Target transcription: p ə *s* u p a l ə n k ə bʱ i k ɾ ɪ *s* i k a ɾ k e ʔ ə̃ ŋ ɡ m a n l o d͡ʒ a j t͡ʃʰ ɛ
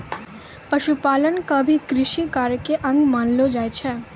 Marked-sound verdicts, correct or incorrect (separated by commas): incorrect, incorrect